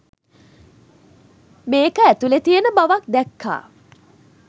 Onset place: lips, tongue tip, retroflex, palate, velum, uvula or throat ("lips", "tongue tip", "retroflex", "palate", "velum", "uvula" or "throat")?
lips